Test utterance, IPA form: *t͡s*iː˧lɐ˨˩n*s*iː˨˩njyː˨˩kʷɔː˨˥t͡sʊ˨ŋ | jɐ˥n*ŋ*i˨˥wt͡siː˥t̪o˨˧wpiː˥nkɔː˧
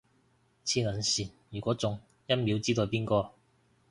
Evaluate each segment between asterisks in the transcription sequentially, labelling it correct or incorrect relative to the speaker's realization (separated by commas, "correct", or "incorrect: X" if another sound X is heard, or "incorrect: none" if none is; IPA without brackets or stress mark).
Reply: incorrect: t͡sʰ, correct, incorrect: m